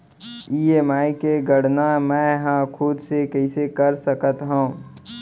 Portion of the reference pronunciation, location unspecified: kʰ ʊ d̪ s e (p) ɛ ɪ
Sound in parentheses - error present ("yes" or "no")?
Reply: yes